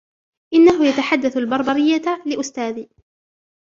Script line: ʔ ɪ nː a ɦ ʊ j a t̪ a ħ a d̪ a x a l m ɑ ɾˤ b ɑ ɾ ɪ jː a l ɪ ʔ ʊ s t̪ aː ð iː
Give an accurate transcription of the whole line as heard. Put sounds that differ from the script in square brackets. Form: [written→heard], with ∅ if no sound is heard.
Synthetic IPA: ʔ ɪ nː a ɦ ʊ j a t̪ a ħ a [d̪→d̪ː] a [x→θ] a l [m→b] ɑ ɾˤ b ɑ ɾ ɪ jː a l ɪ ʔ ʊ s t̪ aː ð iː